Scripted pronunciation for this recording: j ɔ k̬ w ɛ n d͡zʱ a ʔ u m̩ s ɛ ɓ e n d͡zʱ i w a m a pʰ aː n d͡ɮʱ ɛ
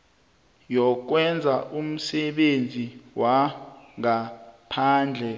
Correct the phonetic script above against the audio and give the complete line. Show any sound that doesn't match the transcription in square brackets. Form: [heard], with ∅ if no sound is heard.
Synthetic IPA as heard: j ɔ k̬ w ɛ n d͡zʱ a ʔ u m̩ s ɛ ɓ e n d͡zʱ i w a [ŋ] a pʰ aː n d͡ɮʱ ɛ